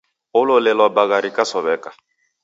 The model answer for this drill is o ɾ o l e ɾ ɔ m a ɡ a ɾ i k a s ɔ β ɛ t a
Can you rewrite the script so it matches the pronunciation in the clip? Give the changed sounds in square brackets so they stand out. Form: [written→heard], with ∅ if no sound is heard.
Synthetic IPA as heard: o [ɾ→l] o l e [ɾ→l] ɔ [m→b] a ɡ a ɾ i k a s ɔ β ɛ [t→k] a

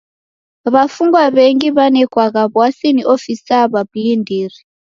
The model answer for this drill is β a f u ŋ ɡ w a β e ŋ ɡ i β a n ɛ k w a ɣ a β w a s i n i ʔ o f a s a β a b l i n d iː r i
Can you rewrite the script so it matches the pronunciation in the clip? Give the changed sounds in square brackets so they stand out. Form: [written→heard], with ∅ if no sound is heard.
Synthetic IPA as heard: β a f u ŋ ɡ w a β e ŋ ɡ i β a n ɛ k w a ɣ a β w a s i n i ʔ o f [a→i] s a β a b l i n d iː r i

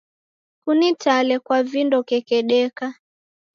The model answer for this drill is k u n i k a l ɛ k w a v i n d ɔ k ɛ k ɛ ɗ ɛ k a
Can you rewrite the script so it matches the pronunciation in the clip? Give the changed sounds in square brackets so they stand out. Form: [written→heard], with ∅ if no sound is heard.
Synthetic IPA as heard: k u n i [k→t] a l ɛ k w a v i n d ɔ k ɛ k ɛ ɗ ɛ k a

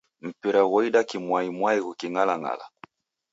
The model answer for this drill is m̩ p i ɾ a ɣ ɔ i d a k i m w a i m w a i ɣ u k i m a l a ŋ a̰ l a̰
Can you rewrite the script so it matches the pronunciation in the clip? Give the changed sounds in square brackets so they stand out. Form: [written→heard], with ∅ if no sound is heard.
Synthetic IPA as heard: m̩ p i ɾ a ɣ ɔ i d a k i m w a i m w a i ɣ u k i [m→ŋ] a l a ŋ a̰ l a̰

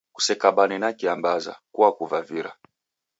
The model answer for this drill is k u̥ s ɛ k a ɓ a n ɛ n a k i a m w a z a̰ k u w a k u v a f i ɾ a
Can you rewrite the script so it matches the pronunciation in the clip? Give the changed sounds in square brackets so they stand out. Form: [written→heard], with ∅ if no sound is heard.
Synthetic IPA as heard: k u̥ s ɛ k a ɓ a n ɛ n a k i a m [w→b] a z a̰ k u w a k u v a [f→v] i ɾ a

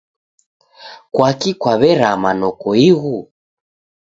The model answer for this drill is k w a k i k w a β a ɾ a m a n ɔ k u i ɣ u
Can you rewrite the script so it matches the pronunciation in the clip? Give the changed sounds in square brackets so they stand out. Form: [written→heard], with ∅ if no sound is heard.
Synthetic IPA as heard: k w a k i k w a β [a→ɛ] ɾ a m a n ɔ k [u→ɔ] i ɣ u

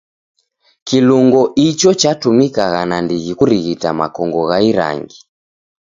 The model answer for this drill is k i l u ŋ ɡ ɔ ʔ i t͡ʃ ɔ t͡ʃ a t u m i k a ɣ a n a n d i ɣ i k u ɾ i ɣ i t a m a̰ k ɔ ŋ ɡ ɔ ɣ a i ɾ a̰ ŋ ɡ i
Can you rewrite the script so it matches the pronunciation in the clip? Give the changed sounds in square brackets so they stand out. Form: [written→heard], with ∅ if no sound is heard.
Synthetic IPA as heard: k i l u ŋ ɡ ɔ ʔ i t͡ʃ ɔ t͡ʃ a t u m i k a ɣ a n a n d i ɣ i k u ɾ i ɣ i t a m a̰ k ɔ ŋ ɡ ɔ ɣ a i ɾ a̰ ŋ ɡ i

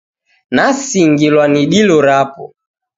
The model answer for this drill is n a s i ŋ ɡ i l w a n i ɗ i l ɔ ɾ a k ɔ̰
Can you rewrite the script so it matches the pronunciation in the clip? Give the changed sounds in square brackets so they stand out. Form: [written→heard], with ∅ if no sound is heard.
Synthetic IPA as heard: n a s i ŋ ɡ i l w a n i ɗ i l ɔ ɾ a [k→p] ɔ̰

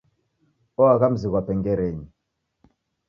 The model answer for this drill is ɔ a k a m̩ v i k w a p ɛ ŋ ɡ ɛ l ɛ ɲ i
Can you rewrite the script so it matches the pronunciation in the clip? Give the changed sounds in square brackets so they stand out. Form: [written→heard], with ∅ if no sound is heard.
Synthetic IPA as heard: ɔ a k a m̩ [v→z] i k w a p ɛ ŋ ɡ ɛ [l→ɾ] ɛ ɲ i

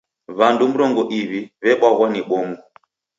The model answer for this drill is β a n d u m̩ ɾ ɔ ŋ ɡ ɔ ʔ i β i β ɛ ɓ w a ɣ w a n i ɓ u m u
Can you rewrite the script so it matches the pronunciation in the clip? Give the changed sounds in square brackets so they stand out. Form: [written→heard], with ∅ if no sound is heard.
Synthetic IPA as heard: β a n d u m̩ ɾ ɔ ŋ ɡ ɔ ʔ i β i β ɛ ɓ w a ɣ w a n i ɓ [u→ɔ] m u

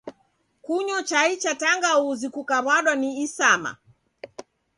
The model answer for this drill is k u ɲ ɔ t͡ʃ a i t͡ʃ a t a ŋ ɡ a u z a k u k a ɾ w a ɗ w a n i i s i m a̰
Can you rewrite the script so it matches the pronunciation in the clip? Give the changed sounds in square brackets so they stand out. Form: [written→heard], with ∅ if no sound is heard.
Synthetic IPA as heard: k u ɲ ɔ t͡ʃ a i t͡ʃ a t a ŋ ɡ a u z [a→i] k u k a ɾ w a ɗ w a n i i s [i→a] m a̰

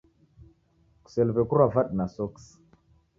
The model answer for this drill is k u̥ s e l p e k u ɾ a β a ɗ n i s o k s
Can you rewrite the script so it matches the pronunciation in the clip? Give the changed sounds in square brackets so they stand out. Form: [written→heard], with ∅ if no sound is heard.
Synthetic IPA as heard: k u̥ s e l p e k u ɾ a [β→v] a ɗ n [i→a] s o k s

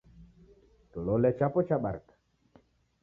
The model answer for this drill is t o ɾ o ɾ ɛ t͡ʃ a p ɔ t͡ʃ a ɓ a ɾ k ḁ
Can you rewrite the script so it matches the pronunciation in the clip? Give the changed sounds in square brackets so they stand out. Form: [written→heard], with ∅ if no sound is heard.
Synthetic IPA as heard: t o [ɾ→l] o [ɾ→l] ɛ t͡ʃ a p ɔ t͡ʃ a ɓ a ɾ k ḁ

